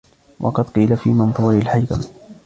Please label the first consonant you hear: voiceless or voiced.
voiced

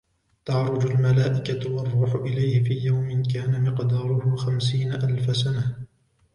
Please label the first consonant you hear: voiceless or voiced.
voiceless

